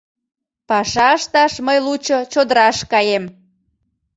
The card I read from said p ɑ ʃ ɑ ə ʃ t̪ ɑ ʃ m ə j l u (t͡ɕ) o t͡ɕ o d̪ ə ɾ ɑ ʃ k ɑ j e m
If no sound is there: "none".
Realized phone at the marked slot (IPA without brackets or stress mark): t͡ɕ